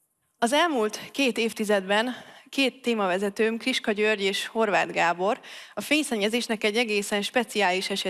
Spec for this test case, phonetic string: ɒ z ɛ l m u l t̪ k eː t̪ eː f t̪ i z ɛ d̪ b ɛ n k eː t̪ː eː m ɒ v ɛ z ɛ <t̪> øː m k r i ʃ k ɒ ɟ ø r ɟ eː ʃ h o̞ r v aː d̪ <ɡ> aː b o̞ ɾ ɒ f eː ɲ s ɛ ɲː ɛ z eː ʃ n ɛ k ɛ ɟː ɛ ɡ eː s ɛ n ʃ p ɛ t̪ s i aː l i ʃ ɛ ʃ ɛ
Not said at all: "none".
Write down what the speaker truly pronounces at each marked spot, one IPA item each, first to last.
t̪, ɡ

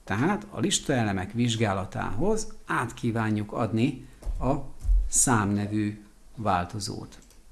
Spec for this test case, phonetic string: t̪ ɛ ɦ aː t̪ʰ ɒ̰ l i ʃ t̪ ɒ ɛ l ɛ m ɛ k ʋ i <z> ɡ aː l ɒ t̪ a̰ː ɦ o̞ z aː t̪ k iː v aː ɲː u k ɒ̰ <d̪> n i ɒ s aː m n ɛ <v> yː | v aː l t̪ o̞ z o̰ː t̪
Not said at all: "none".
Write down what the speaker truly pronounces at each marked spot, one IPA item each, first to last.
ʒ, d̪, v

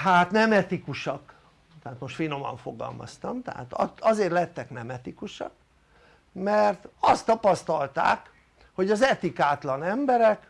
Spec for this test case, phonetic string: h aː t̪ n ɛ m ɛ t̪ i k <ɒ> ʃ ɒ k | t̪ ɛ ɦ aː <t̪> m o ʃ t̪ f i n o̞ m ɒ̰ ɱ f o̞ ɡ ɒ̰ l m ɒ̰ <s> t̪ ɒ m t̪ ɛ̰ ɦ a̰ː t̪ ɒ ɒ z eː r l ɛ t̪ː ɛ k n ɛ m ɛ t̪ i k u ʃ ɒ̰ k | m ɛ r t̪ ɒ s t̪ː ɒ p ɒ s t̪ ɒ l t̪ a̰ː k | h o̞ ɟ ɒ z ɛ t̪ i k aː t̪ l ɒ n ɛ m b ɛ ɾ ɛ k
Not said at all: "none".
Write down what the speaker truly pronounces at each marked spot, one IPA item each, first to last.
u, t̪, s

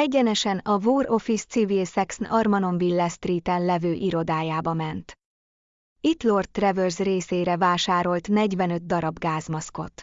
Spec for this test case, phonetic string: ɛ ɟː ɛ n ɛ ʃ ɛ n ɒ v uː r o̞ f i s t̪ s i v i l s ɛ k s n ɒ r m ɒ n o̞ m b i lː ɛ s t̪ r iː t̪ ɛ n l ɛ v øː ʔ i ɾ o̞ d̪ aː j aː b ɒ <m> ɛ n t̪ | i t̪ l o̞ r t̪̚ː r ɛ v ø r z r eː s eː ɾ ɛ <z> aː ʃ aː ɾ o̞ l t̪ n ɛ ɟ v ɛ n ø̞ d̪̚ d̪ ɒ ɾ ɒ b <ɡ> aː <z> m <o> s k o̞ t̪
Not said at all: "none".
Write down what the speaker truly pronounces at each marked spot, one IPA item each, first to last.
m, v, ɡ, z, ɒ

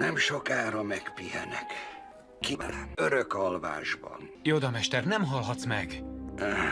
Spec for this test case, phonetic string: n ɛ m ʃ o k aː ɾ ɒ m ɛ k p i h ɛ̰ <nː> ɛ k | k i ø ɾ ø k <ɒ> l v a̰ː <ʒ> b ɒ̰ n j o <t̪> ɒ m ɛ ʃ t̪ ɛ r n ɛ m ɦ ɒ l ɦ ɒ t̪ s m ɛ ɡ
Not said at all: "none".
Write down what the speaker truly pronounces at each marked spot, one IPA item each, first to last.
n, ɒ, ʒ, d̪

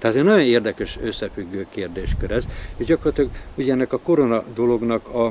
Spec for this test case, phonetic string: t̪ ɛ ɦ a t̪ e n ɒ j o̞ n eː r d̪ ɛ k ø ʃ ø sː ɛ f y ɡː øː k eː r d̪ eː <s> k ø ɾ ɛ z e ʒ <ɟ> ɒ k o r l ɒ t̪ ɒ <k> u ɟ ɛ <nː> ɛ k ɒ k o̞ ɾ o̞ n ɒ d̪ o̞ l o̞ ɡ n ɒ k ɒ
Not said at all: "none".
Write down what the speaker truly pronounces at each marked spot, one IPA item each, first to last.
ʃ, ɟ, ɡ, nː

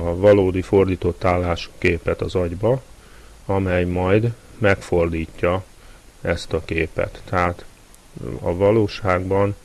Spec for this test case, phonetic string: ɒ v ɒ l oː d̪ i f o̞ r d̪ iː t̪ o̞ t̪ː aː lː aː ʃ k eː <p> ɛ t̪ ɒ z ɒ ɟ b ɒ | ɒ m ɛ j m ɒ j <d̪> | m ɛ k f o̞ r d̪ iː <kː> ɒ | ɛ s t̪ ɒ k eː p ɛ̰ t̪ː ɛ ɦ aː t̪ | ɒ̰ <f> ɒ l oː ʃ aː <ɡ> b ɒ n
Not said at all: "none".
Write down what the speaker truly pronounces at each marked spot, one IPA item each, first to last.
p, d̪, cː, v, ɡ

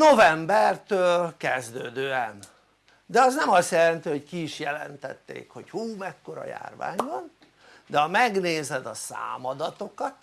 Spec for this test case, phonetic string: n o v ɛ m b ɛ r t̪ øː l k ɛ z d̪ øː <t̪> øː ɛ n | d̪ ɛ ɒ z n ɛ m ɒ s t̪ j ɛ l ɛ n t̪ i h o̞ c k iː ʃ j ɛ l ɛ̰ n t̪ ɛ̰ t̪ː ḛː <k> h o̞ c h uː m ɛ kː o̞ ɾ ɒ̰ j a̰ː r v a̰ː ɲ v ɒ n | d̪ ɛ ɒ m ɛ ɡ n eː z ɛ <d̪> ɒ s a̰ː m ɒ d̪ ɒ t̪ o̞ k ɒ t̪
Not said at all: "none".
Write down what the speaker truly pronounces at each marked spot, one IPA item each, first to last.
d̪, k, d̪

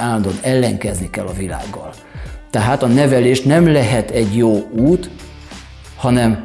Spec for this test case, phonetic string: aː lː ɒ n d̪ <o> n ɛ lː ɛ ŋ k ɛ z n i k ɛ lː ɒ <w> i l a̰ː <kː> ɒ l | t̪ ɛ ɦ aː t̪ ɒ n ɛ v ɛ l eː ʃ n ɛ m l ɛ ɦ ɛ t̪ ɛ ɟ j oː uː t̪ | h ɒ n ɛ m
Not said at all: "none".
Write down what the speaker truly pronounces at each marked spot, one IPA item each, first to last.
o, v, ɡː

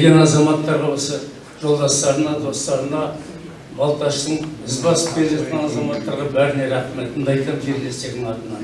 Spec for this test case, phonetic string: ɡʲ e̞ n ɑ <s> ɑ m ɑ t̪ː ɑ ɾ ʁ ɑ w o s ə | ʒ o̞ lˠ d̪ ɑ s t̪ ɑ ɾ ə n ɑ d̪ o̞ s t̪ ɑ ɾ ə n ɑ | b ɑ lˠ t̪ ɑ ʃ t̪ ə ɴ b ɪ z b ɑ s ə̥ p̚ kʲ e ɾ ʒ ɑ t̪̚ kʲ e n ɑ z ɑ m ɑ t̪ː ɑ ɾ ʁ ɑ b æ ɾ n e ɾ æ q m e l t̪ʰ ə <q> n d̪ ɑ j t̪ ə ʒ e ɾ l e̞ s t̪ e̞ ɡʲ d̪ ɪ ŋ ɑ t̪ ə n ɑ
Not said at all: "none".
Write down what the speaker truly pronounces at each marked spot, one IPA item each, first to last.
z, none

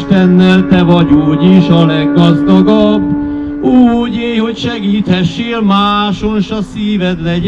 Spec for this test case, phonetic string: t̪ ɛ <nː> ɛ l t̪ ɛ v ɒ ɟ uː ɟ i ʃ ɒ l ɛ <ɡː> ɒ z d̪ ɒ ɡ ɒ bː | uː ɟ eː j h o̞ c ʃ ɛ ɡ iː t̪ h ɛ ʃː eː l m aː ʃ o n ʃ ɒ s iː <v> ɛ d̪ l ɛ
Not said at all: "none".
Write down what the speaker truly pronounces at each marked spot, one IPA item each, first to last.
nː, ɡː, v

